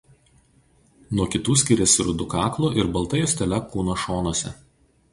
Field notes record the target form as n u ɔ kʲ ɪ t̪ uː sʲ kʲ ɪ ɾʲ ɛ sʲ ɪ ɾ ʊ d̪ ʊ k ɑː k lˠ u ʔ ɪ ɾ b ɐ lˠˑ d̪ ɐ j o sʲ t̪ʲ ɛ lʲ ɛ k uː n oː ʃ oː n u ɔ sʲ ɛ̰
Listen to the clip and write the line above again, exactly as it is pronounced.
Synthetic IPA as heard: n u ɔ kʲ ɪ t̪ uː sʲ kʲ ɪ ɾʲ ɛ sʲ ɪ ɾ ʊ d̪ ʊ k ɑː k lˠ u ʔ ɪ ɾ b ɐ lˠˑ t̪ ɐ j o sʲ t̪ʲ ɛ lʲ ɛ k uː n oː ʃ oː n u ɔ sʲ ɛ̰